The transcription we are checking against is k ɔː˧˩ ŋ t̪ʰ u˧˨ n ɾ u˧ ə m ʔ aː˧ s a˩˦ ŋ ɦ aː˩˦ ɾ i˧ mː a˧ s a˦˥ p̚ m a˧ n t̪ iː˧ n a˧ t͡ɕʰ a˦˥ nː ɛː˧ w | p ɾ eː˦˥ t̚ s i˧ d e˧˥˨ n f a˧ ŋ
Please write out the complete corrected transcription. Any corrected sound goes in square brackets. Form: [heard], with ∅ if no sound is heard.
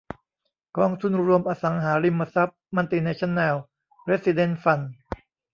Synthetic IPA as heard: k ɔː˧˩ ŋ t̪ʰ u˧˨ n ɾ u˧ ə m ʔ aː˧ s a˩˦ ŋ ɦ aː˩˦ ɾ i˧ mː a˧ s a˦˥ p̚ m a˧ n t̪ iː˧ n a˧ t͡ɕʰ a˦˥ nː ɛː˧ w | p ɾ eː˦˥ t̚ s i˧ d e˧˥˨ n f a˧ [n]